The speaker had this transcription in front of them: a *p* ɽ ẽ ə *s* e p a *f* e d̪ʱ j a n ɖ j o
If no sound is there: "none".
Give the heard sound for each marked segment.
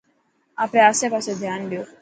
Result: p, s, s

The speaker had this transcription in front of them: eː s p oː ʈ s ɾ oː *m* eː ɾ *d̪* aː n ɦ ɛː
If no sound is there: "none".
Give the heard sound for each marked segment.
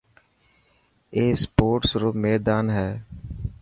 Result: m, d̪

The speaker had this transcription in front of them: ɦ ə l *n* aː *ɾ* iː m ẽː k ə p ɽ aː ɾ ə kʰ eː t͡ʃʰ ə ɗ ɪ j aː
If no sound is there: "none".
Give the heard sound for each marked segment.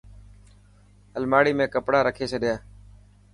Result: m, ɽ

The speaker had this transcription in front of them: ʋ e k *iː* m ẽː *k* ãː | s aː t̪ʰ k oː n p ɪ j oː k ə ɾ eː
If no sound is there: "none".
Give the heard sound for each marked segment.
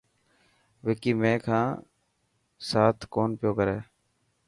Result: iː, kʰ

